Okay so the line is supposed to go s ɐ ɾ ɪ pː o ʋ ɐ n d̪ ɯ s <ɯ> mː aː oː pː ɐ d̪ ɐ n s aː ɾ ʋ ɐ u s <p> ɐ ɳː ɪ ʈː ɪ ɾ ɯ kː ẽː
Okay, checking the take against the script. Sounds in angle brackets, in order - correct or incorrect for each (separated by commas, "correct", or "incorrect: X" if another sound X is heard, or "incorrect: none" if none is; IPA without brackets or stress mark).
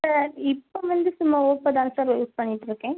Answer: incorrect: ʊ, correct